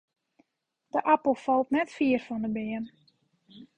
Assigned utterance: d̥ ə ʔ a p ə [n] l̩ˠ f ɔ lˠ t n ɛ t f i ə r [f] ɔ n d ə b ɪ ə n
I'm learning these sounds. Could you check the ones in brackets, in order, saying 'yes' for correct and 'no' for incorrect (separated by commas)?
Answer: no, yes